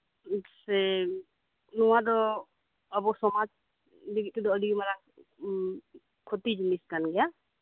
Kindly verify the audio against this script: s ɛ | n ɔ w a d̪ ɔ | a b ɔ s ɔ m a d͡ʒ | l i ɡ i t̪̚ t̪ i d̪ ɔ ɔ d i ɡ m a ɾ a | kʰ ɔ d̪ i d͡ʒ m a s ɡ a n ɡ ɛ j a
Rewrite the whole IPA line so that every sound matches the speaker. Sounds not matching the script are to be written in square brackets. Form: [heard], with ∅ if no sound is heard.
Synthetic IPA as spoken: s ɛ | n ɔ w a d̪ ɔ | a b ɔ s ɔ m a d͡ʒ | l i ɡ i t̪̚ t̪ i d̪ ɔ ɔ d i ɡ m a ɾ a | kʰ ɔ [t̪] i d͡ʒ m [i] s [k] a n ɡ ɛ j a